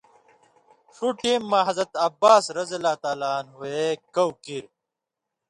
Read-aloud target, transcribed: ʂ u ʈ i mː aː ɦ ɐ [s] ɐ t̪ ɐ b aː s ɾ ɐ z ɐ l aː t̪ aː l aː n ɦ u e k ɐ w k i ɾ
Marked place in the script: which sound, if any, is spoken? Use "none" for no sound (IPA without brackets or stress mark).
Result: z